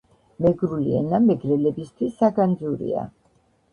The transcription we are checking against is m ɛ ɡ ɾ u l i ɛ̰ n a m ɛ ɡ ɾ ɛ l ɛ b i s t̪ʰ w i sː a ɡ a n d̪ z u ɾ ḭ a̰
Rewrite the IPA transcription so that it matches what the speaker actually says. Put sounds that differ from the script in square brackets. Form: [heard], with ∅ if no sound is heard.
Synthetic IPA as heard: m ɛ ɡ ɾ u l i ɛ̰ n a m ɛ ɡ ɾ ɛ l ɛ b i s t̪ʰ w i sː a ɡ a n d̪ z u ɾ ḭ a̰